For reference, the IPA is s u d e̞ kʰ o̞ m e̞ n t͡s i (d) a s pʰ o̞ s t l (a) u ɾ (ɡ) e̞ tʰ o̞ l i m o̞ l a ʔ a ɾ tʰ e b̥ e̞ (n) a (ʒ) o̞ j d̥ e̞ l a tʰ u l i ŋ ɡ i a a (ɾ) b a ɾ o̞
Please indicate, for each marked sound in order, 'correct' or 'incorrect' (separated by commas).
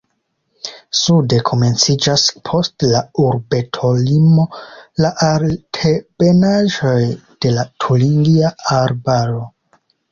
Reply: incorrect, correct, incorrect, correct, correct, correct